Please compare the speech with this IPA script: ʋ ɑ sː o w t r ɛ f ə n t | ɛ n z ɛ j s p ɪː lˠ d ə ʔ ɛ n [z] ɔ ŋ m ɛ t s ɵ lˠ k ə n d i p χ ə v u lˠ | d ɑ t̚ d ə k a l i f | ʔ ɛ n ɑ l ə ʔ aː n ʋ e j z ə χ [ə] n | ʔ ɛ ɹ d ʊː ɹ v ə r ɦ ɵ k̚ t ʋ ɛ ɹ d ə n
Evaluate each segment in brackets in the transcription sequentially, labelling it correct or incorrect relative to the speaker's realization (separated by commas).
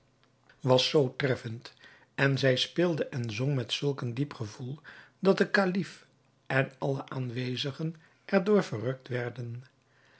correct, correct